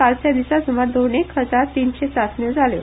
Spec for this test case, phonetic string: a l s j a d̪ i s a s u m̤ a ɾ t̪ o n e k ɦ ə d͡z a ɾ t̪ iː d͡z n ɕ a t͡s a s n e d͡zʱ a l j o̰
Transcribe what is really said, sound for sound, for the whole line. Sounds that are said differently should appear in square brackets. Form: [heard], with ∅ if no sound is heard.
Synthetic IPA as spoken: a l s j a d̪ i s a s u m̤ a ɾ [d̪] o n e k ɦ ə d͡z a ɾ t̪ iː [∅] n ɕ [e] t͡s a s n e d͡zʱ a l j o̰